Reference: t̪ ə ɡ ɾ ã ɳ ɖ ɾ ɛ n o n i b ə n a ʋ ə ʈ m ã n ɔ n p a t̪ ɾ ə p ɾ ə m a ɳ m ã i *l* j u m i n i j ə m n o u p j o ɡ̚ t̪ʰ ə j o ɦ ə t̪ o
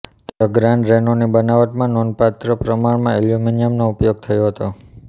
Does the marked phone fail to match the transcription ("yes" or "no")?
no